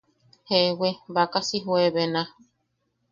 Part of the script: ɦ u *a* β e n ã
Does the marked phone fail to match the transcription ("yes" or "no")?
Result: yes